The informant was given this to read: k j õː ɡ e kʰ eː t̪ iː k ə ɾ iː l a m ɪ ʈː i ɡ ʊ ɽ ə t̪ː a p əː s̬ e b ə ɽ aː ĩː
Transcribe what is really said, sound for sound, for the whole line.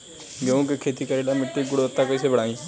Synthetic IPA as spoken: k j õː k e kʰ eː t̪ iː k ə ɾ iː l a m ɪ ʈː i ɡ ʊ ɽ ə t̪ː a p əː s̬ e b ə ɽ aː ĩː

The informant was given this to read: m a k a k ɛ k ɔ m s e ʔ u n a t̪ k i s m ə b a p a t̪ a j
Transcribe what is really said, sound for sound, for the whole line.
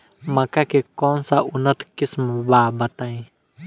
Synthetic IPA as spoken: m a k a k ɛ k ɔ n s a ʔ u n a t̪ k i s m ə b a b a t̪ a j

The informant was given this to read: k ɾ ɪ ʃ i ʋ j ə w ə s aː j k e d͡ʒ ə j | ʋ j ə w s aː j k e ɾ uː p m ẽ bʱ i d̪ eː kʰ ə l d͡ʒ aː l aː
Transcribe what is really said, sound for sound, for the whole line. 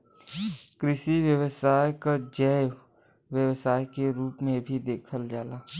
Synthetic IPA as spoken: k ɾ ɪ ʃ i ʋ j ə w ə s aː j k a d͡ʒ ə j | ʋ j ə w s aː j k e ɾ uː p m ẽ bʱ i d̪ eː kʰ ə l d͡ʒ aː l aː

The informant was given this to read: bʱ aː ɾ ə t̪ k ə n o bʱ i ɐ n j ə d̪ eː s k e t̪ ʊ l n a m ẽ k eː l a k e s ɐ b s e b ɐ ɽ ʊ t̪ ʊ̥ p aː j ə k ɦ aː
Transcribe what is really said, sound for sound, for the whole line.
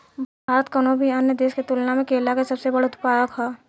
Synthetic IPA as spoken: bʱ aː ɾ ə t̪ k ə n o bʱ i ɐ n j ə d̪ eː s k e t̪ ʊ l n a m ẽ k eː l a k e s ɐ b s e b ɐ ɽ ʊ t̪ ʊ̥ p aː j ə k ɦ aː

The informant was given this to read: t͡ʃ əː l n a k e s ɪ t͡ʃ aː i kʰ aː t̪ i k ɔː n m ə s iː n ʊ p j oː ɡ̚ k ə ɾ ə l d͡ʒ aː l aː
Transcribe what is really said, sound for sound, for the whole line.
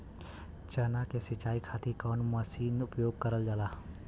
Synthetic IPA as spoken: t͡ʃ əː n a k e s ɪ t͡ʃ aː i kʰ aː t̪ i k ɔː n m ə s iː n ʊ p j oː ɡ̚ k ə ɾ ə l d͡ʒ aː l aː

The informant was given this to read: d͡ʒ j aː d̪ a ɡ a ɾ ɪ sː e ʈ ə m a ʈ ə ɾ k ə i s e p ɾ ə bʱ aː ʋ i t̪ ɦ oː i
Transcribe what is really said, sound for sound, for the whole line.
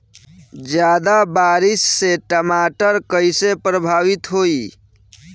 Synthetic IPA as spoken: d͡ʒ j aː d̪ a b a ɾ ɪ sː e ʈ ə m a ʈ ə ɾ k ə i s e p ɾ ə bʱ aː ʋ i t̪ ɦ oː i

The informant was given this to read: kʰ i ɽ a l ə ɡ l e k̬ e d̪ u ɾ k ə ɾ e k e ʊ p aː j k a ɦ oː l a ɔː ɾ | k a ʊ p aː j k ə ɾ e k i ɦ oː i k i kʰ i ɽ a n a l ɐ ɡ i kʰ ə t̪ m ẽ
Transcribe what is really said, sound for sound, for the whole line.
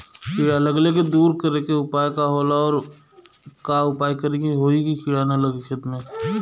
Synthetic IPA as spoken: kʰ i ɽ a l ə ɡ l e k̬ e d̪ uː ɾ k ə ɾ e k e ʊ p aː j k a ɦ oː l a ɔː ɾ | k a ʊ p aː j k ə ɾ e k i ɦ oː i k i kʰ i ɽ a n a l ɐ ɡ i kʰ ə t̪ m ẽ

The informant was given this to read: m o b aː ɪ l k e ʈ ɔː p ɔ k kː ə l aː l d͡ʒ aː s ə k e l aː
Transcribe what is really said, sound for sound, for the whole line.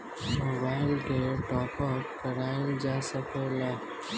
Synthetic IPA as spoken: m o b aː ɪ l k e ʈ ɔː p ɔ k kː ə ɾ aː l d͡ʒ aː s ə k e l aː

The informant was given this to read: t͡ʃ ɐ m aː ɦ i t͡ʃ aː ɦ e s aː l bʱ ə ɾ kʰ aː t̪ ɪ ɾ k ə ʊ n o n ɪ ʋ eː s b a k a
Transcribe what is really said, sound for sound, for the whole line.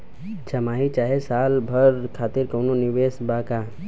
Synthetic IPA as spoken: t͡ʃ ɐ m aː ɦ i t͡ʃ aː ɦ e s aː l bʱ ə ɾ kʰ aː t̪ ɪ ɾ k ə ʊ n o n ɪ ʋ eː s b a k a

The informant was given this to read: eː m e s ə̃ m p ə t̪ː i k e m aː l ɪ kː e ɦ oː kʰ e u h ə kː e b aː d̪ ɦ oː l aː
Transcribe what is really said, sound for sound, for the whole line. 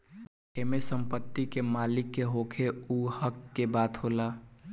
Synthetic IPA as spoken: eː m e s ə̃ m p ə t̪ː i k e m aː l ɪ kː e ɦ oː kʰ e u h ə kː e b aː t̪ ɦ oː l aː

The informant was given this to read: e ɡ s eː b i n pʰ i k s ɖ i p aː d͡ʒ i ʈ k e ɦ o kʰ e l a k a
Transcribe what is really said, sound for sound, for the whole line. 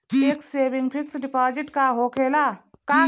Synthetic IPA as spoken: e k s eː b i ŋ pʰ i k s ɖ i p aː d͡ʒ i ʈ k a ɦ o kʰ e l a k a

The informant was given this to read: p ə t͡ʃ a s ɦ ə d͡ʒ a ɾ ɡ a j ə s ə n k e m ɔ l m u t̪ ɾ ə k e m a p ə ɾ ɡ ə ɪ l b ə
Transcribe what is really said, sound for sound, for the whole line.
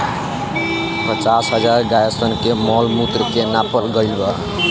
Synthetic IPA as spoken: p ə t͡ʃ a s ɦ ə d͡ʒ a ɾ ɡ a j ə s ə n k e m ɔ l m u t̪ ɾ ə k e n a p ə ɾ ɡ ə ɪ l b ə

